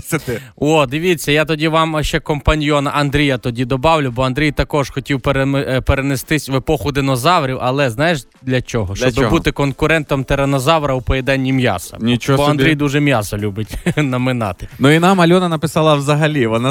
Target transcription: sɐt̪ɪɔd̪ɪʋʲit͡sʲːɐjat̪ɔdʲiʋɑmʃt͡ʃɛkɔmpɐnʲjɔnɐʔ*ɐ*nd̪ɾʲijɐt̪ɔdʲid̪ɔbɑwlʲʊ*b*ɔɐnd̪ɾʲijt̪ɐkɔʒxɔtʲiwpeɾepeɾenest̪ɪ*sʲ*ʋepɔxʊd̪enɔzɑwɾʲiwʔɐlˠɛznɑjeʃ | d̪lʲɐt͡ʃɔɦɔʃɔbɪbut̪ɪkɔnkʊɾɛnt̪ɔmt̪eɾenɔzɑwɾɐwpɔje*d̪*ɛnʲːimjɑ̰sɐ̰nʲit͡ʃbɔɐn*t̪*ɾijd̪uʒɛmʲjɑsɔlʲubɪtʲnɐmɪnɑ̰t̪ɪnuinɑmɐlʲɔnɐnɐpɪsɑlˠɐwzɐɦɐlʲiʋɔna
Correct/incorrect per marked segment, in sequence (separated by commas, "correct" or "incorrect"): correct, correct, correct, correct, incorrect